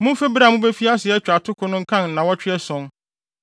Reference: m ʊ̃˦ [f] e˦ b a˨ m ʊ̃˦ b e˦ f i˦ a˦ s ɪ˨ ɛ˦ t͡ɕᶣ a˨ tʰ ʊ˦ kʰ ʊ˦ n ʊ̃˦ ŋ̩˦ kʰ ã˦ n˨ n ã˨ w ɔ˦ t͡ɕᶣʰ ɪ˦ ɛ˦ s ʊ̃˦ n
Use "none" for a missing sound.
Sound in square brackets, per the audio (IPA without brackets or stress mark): f